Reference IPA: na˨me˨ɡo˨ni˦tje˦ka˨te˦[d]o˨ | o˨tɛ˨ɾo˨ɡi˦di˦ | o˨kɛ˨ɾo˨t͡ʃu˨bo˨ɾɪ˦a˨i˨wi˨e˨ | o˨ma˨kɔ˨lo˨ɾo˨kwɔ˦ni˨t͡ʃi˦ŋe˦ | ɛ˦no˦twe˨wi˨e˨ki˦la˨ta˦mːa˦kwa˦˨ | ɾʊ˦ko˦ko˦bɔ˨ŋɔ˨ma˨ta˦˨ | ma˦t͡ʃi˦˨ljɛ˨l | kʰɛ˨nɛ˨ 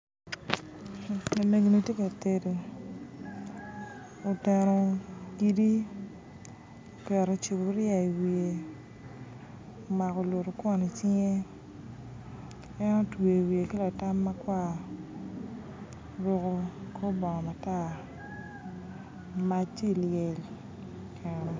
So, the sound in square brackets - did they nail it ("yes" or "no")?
yes